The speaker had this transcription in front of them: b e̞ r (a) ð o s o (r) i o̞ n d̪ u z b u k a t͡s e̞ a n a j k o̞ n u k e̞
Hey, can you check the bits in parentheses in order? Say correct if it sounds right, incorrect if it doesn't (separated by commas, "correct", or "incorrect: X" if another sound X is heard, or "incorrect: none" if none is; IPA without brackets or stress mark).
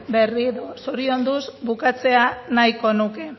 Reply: incorrect: i, incorrect: ɾ